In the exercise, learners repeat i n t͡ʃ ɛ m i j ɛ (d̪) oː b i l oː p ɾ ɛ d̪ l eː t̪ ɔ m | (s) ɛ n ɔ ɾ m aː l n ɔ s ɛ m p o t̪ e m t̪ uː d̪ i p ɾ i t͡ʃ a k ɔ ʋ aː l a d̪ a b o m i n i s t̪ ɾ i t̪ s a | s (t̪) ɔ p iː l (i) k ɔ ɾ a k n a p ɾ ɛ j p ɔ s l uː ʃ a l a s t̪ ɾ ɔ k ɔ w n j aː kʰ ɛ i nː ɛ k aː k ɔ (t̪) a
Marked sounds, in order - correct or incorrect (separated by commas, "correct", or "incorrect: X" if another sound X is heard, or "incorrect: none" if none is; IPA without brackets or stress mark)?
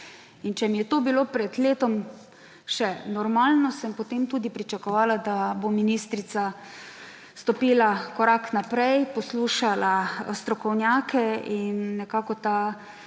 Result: incorrect: t̪, incorrect: ʃ, correct, incorrect: a, correct